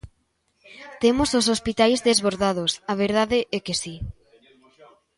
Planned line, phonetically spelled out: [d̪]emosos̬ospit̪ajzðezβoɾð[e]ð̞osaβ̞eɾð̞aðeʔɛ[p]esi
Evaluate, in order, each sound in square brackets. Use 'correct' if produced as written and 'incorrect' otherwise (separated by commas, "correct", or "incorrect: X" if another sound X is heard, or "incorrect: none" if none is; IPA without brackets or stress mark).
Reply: incorrect: t̪, incorrect: a, incorrect: k